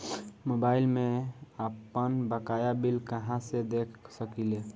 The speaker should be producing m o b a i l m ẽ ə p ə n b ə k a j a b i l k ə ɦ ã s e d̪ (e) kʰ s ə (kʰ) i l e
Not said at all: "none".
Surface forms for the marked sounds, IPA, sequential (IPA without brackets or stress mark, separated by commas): e, k